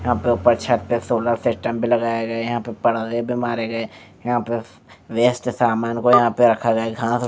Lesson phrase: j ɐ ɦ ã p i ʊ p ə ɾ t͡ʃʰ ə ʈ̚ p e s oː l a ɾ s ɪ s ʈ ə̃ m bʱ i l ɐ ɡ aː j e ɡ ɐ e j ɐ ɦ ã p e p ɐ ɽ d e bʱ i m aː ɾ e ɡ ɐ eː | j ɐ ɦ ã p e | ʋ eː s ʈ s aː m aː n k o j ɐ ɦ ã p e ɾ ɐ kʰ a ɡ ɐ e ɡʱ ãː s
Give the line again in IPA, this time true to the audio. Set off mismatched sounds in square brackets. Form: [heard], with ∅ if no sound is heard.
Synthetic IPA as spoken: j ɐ ɦ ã p [e] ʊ p ə ɾ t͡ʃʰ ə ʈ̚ p e s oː l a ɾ s ɪ s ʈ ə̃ m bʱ i l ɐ ɡ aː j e ɡ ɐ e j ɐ ɦ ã p e p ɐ ɽ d e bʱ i m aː ɾ e ɡ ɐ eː | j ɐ ɦ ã p e | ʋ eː s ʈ s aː m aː n k o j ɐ ɦ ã p e ɾ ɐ kʰ a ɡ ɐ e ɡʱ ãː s